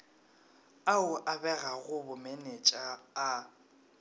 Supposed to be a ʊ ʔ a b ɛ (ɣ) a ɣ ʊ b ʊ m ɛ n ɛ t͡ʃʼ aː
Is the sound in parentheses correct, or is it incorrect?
correct